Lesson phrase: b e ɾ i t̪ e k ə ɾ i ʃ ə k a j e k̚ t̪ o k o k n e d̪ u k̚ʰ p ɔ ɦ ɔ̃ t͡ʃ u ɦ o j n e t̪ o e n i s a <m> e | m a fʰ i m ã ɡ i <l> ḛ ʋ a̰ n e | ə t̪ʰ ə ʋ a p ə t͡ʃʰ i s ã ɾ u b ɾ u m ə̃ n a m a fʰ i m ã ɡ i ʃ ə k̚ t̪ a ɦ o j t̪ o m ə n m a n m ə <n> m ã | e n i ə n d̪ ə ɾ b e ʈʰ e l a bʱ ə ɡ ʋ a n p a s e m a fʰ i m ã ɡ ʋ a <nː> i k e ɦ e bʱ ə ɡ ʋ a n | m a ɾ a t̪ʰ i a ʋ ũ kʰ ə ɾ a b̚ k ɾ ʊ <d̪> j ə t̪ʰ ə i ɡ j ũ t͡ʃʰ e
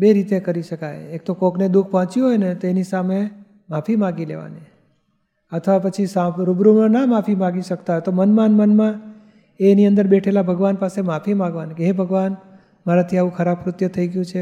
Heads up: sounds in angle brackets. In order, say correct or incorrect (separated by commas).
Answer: correct, correct, correct, incorrect, incorrect